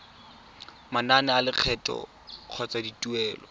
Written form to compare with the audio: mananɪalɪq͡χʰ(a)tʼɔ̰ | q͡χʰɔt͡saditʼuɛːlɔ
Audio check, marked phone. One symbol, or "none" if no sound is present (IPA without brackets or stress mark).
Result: ɛ